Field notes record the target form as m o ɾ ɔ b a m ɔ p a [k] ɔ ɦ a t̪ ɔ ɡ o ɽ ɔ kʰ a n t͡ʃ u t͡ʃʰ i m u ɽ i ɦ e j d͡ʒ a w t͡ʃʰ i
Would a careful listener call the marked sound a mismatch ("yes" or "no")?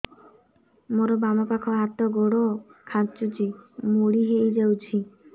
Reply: yes